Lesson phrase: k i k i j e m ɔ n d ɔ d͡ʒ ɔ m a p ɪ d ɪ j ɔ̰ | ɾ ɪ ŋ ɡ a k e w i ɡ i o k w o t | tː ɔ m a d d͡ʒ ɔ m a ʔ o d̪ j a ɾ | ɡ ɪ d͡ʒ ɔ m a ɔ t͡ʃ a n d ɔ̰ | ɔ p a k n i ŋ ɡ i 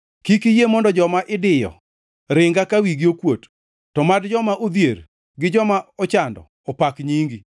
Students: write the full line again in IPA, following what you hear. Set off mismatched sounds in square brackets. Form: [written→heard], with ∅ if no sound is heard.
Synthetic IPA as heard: k i k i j e m ɔ n d ɔ d͡ʒ ɔ m a [p→ʔ] ɪ d ɪ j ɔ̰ | ɾ ɪ ŋ ɡ a k [e→a] w i ɡ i o k w o t | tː ɔ m a d d͡ʒ ɔ m a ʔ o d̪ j [a→e] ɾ | ɡ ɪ d͡ʒ ɔ m a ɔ t͡ʃ a n d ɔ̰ | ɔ p a k [n→ɲ] i ŋ ɡ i